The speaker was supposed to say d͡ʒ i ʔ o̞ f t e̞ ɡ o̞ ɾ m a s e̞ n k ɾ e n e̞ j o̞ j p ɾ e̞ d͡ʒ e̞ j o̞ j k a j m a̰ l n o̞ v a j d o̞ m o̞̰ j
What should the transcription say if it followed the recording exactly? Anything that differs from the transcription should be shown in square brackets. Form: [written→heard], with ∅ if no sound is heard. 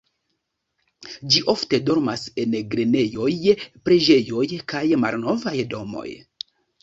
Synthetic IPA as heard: d͡ʒ i ʔ o̞ f t e̞ [ɡ→d] o̞ ɾ m a s e̞ n [k→ɡ] ɾ e n e̞ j o̞ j p ɾ e̞ d͡ʒ e̞ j o̞ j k a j m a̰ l n o̞ v a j d o̞ m o̞̰ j